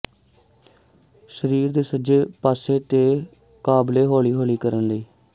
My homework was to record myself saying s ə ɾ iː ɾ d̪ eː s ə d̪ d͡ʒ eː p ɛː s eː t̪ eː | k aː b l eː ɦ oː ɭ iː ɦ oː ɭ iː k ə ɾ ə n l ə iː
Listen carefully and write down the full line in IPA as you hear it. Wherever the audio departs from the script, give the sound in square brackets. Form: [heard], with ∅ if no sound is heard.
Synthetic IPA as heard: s ə ɾ iː ɾ d̪ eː s ə [∅] d͡ʒ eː p [aː] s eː t̪ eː | k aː b l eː ɦ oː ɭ iː ɦ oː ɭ iː k ə ɾ ə n l ə iː